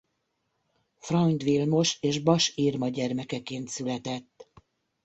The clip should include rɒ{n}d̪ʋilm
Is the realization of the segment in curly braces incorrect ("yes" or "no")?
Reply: no